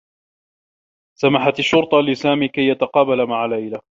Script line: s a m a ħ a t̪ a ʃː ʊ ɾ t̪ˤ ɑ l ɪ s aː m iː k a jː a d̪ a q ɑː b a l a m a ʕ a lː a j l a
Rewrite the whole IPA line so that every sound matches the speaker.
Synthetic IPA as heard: s a m a ħ a t̪ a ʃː ʊ ɾ t̪ˤ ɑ l ɪ s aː m iː k a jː a t̪ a q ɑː b a l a m a ʕ a l a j l a